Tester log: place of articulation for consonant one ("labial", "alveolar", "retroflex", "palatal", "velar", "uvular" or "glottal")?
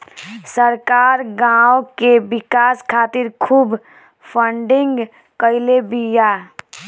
alveolar